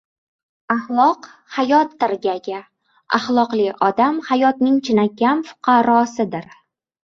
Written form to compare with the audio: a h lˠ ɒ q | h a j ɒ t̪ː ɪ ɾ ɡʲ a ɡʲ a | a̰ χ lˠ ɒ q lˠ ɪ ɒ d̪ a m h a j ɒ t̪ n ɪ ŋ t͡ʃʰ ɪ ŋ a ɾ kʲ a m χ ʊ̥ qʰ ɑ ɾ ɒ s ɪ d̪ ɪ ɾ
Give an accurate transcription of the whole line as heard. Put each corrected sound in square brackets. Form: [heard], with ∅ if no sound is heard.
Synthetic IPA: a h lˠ ɒ q | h a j ɒ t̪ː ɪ ɾ ɡʲ a ɡʲ a | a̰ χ lˠ ɒ q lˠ ɪ ɒ d̪ a m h a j ɒ t̪ n ɪ ŋ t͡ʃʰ ɪ [n] a [∅] kʲ a m [f] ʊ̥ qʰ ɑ ɾ ɒ s ɪ d̪ ɪ ɾ